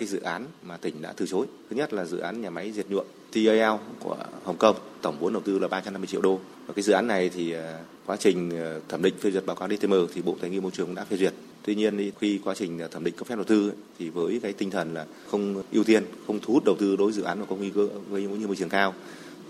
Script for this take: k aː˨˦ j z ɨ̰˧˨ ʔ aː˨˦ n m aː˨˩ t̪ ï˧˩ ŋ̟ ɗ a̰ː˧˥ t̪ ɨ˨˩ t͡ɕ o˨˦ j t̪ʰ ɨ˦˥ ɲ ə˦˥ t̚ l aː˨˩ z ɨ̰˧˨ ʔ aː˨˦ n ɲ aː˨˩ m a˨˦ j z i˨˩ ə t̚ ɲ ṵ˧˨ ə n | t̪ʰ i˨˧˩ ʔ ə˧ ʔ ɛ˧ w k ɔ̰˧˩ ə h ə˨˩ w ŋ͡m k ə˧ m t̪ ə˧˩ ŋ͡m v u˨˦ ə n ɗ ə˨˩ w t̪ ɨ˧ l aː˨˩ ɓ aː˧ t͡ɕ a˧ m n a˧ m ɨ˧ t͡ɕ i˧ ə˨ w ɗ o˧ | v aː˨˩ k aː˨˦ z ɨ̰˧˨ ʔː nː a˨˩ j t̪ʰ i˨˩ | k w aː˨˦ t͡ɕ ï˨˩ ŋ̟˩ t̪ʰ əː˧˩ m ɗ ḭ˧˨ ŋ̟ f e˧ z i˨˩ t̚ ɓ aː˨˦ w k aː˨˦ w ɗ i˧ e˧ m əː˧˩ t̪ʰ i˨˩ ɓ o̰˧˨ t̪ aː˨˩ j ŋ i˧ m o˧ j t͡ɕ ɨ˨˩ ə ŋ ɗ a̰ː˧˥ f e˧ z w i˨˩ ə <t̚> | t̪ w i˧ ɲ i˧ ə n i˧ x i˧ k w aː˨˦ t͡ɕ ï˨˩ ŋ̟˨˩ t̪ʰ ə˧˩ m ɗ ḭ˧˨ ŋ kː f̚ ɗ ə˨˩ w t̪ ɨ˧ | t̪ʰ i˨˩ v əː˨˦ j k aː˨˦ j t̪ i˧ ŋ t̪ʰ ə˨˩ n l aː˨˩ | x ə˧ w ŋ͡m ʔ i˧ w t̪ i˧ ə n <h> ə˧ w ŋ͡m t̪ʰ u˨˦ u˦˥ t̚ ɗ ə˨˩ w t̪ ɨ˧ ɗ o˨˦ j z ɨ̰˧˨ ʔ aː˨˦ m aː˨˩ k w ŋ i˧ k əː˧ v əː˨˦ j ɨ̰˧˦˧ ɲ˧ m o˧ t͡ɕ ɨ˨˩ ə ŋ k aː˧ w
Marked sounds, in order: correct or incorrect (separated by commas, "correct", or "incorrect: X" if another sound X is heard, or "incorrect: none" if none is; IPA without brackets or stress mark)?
correct, incorrect: x